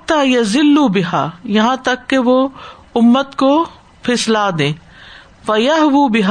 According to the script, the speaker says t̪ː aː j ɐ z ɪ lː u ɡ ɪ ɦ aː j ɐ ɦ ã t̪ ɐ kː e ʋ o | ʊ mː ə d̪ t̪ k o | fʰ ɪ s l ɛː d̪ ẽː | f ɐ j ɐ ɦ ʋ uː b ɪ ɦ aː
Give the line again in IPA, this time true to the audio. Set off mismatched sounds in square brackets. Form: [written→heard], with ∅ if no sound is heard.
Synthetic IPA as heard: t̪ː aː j ɐ z ɪ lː u [ɡ→b] ɪ ɦ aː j ɐ ɦ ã t̪ ɐ kː e ʋ o | ʊ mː ə [d̪→∅] t̪ k o | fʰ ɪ s l [ɛː→aː] d̪ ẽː | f ɐ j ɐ ɦ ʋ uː b ɪ ɦ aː